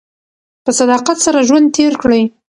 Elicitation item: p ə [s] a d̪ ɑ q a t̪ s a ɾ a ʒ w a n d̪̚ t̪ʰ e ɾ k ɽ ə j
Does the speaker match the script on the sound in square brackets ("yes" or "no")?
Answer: yes